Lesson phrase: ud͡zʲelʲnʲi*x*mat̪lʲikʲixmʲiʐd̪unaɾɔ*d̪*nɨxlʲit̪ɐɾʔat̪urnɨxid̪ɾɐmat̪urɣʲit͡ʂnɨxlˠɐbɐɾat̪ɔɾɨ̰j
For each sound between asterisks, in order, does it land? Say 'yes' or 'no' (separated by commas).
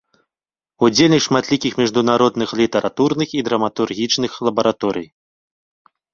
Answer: no, yes